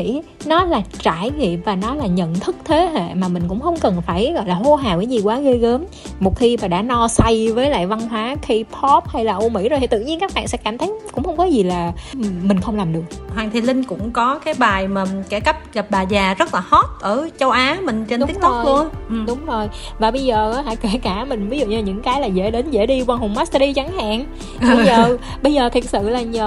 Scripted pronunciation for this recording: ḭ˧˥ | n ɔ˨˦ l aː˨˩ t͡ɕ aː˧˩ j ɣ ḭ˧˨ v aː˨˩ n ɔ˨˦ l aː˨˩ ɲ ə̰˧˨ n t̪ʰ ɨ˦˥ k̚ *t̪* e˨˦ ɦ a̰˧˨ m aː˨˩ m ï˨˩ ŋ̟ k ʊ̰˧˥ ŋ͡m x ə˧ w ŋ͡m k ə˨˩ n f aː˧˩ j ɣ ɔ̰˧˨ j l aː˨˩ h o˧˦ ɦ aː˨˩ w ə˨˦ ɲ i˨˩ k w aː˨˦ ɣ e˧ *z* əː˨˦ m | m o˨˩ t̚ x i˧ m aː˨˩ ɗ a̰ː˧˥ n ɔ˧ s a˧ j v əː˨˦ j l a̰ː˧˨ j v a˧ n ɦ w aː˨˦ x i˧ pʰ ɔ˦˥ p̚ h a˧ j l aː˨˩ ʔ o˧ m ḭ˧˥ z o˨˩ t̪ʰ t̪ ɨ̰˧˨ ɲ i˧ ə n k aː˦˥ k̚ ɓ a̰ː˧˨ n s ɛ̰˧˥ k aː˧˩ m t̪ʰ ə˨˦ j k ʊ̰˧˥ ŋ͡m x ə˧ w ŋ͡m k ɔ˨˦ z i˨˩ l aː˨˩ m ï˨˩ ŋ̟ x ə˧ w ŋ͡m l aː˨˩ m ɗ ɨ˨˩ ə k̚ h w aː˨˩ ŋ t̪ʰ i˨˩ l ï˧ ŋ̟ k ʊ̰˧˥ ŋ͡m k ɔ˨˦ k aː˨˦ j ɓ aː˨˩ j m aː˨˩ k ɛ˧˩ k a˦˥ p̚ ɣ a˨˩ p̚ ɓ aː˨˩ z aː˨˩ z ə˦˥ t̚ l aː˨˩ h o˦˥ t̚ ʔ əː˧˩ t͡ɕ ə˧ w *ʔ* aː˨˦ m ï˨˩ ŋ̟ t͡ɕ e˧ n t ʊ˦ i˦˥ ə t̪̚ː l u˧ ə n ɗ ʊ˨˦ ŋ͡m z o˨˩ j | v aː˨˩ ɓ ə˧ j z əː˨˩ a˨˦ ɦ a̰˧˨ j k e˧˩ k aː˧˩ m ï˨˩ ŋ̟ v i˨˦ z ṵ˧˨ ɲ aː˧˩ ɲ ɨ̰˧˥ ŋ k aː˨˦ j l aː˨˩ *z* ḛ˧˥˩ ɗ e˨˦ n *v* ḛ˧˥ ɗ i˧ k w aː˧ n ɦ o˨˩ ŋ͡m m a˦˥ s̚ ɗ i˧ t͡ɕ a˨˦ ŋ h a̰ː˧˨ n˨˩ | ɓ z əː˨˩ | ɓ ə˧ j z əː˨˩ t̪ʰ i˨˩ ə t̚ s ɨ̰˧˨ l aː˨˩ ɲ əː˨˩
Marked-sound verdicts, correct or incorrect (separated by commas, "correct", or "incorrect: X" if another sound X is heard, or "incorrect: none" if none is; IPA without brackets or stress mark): incorrect: t̪ʰ, incorrect: ɣ, correct, correct, incorrect: z